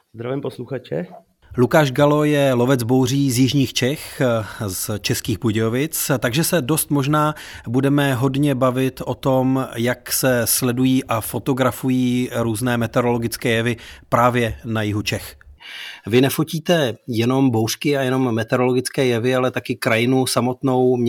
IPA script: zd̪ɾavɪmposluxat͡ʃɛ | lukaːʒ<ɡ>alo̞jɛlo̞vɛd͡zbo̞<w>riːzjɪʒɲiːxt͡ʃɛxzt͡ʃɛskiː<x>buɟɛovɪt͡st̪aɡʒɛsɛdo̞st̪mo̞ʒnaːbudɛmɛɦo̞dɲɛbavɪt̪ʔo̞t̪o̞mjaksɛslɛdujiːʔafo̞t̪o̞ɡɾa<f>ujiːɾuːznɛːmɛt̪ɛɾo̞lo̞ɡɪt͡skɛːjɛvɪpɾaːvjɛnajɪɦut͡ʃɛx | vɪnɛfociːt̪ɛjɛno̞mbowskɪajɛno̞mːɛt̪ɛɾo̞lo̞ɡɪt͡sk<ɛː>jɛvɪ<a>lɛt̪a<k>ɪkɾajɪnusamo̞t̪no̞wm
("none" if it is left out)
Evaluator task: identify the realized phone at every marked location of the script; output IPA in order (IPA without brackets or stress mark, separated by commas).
ɡ, w, x, f, ɛː, a, k